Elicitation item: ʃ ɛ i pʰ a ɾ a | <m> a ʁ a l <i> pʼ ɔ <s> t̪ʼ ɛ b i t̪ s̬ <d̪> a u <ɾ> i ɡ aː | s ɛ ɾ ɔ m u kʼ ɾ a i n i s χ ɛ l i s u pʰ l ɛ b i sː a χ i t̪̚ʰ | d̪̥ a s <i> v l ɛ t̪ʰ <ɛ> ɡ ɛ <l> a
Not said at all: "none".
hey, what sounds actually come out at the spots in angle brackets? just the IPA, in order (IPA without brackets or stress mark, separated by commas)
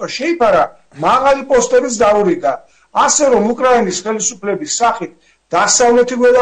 m, i, s, d̪, ɾ, a, i, l